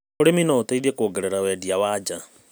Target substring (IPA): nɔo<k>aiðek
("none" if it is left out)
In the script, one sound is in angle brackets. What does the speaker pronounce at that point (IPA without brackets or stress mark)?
t